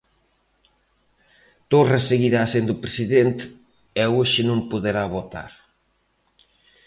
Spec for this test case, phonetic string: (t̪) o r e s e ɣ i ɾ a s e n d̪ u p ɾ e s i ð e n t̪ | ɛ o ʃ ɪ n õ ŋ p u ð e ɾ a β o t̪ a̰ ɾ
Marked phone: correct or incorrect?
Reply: correct